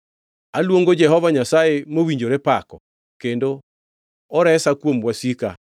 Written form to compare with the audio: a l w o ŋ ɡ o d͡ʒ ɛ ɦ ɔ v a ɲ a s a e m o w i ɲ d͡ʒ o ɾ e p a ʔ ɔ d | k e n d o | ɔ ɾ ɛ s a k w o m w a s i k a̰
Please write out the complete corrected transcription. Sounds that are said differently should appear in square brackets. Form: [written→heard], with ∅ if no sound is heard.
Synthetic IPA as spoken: a l w o ŋ ɡ o d͡ʒ ɛ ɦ ɔ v a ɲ a s a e m o w i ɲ d͡ʒ o ɾ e p a [ʔ→k] ɔ [d→∅] | k e n d o | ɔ ɾ ɛ s a k w o m w a s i k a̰